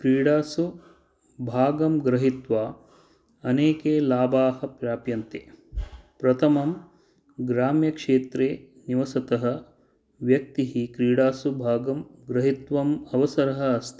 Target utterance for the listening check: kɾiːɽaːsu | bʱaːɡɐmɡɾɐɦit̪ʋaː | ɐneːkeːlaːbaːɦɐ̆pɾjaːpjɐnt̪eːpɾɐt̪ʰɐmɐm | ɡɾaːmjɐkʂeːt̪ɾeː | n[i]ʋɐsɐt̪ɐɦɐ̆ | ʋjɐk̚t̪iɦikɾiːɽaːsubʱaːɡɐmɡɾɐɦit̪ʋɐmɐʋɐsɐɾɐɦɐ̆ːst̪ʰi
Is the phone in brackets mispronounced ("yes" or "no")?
no